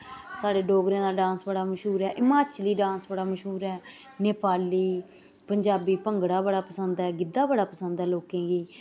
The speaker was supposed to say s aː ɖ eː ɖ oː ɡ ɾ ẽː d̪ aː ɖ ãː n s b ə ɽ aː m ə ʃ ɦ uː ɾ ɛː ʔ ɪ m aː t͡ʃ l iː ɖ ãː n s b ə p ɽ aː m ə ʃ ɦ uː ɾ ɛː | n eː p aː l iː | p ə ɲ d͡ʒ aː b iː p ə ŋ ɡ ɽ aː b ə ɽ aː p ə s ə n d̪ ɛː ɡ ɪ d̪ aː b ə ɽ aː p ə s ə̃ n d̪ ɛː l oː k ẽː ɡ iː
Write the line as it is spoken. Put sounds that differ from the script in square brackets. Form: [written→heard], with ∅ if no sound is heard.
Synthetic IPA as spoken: s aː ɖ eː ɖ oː ɡ ɾ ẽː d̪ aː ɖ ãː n s b ə ɽ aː m ə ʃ ɦ uː ɾ ɛː ʔ ɪ m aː t͡ʃ l iː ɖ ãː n s b ə [p→∅] ɽ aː m ə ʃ ɦ uː ɾ ɛː | n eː p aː l iː | p ə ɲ d͡ʒ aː b iː p ə ŋ ɡ ɽ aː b ə ɽ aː p ə s ə n d̪ ɛː ɡ ɪ d̪ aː b ə ɽ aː p ə s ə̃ n d̪ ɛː l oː k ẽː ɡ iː